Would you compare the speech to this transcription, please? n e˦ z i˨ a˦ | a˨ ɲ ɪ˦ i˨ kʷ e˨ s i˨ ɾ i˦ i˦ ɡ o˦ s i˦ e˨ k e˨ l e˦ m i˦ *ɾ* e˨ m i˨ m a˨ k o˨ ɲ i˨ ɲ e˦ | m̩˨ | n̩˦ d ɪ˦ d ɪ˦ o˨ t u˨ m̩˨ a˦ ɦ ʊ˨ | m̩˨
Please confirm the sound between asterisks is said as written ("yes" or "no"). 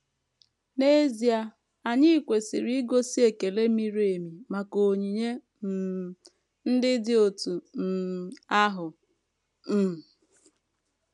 yes